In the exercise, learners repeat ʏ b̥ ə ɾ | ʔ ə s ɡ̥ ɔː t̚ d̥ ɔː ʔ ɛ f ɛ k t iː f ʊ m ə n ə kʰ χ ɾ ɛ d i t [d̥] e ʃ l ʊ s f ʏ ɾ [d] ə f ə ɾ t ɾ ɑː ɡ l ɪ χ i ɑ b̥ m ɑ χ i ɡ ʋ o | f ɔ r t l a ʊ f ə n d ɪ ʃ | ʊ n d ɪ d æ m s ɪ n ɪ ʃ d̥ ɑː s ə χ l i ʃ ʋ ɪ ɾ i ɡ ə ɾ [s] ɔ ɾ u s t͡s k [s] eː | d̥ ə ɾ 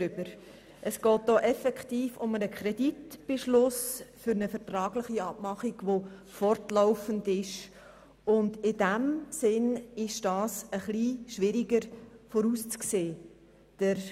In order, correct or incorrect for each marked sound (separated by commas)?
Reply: incorrect, incorrect, incorrect, correct